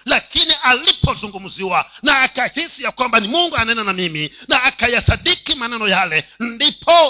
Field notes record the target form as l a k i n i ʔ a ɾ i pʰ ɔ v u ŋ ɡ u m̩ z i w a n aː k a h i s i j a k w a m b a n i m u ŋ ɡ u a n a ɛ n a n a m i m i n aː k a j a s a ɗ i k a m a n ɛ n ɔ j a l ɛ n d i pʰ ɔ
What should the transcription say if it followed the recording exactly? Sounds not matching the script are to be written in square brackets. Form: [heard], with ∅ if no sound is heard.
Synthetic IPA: l a k i n i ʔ a [l] i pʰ ɔ [z] u ŋ ɡ u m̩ z i w a n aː k a h i s i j a k w a m b a n i m u ŋ ɡ u a n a ɛ n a n a m i m i n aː k a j a s a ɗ i k [i] m a n ɛ n ɔ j a l ɛ n d i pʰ ɔ